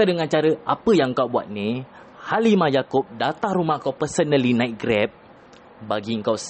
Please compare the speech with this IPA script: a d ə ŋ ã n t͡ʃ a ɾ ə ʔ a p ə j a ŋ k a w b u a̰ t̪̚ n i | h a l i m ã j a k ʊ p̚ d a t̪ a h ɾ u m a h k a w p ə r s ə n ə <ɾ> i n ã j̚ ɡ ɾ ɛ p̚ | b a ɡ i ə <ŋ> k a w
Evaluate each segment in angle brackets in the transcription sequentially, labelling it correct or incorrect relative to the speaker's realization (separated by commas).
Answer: incorrect, correct